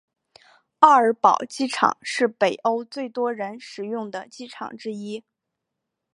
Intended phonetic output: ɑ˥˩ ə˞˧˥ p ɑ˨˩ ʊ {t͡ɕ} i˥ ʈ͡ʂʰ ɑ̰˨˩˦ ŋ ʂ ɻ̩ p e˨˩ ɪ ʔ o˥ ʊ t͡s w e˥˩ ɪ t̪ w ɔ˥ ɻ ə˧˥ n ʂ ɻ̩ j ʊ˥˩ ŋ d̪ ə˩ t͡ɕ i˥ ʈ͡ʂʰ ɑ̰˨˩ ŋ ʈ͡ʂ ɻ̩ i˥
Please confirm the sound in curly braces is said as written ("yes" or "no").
yes